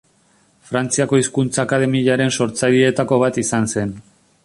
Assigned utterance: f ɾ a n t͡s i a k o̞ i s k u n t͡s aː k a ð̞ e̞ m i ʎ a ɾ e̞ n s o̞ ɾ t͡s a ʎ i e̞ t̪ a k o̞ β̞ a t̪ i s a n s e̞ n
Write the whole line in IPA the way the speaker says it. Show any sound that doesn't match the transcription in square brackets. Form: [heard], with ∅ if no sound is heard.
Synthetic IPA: f ɾ a n t͡s i a k o̞ i s k u n t͡s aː k a ð̞ e̞ m i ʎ a ɾ e̞ n s o̞ ɾ t͡s a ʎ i e̞ t̪ a k o̞ β̞ a t̪ i s a n s e̞ n